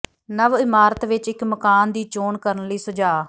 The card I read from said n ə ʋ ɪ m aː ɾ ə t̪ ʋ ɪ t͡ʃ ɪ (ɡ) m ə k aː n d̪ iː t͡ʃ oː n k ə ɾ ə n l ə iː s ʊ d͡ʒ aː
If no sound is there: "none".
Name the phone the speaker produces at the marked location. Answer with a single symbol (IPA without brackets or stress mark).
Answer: k